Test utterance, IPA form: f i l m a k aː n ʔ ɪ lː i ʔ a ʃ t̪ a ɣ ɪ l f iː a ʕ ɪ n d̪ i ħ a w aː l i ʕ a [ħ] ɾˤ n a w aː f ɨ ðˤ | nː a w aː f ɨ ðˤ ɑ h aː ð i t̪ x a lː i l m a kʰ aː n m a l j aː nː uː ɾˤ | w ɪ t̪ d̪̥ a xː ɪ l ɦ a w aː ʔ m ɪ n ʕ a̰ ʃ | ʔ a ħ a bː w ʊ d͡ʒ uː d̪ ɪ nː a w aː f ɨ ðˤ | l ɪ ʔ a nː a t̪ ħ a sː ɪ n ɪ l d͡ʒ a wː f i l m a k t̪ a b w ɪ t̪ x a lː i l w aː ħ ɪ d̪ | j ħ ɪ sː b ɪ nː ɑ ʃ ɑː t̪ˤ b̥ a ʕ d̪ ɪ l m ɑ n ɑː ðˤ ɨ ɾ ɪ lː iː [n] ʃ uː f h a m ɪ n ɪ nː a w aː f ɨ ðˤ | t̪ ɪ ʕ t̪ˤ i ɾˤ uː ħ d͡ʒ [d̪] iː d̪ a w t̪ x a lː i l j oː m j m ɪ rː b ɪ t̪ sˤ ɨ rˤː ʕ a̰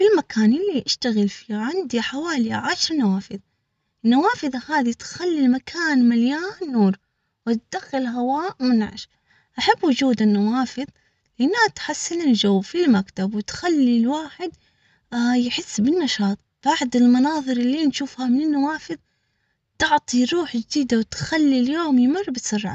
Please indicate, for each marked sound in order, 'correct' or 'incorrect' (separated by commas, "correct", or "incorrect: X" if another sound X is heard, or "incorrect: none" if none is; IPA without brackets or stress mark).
incorrect: ʃ, correct, correct